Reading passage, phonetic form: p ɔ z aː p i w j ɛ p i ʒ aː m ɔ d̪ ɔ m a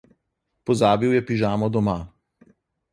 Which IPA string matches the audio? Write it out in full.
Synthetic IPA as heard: p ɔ z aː b i w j ɛ p i ʒ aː m ɔ d̪ ɔ m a